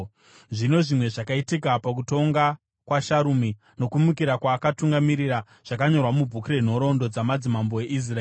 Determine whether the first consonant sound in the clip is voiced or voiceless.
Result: voiced